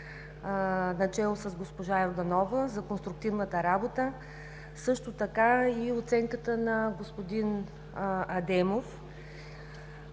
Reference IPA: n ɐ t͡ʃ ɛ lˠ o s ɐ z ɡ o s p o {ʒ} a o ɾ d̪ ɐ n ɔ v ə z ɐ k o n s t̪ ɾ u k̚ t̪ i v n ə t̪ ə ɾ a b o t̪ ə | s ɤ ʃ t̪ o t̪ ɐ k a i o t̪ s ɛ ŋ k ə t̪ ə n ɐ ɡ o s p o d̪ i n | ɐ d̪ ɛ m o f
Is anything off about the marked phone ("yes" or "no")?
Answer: no